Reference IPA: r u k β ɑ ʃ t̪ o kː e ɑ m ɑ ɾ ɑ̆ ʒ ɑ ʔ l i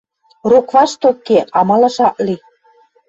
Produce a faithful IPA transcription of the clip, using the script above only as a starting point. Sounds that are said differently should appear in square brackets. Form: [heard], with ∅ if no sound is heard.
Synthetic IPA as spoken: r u k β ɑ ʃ t̪ o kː e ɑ m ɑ [l] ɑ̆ [ʃ] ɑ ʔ l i

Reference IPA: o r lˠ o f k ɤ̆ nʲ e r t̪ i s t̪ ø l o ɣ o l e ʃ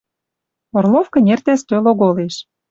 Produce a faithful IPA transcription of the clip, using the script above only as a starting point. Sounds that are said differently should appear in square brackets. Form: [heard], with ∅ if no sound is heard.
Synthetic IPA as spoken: o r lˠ o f k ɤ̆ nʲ e r t̪ [æ] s t̪ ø l o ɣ o l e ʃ

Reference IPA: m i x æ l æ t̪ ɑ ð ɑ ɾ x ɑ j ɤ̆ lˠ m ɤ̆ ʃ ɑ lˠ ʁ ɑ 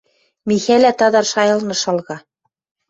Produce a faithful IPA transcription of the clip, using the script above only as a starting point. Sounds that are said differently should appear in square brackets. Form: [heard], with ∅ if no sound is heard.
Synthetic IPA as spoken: m i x æ l æ t̪ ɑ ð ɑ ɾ [ʃ] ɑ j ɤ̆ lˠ [n] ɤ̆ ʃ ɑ lˠ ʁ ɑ

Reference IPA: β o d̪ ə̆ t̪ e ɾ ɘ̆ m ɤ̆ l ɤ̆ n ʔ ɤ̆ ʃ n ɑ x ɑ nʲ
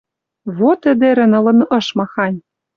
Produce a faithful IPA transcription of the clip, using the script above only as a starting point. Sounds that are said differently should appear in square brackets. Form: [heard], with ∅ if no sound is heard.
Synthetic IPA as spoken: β o [t̪] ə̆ [d̪] e ɾ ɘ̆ [n] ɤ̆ l ɤ̆ n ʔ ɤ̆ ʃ [m] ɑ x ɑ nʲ

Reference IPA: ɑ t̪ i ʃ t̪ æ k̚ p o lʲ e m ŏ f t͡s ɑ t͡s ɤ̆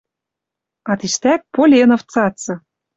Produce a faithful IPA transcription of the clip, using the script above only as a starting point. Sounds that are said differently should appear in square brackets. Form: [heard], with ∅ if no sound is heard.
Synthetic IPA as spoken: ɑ t̪ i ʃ t̪ æ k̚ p o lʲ e [n] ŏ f t͡s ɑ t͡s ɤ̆

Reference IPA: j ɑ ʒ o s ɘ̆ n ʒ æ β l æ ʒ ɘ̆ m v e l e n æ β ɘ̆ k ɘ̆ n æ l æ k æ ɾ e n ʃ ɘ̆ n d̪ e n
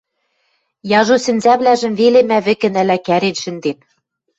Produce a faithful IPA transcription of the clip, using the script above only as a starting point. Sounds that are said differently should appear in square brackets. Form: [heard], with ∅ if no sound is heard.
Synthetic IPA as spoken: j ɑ ʒ o s ɘ̆ n [z] æ β l æ ʒ ɘ̆ m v e l e [m] æ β ɘ̆ k ɘ̆ n æ l æ k æ ɾ e n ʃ ɘ̆ n d̪ e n

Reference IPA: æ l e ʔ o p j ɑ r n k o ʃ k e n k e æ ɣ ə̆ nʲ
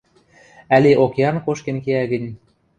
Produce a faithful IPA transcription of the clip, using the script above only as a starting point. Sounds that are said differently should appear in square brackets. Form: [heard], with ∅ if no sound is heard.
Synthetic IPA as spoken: æ l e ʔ o [k] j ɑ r n k o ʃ k e n k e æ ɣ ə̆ nʲ

